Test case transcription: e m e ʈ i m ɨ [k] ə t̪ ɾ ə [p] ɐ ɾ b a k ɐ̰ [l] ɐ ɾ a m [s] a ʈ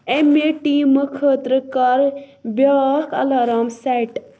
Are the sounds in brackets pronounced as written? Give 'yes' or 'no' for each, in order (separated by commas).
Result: no, no, yes, yes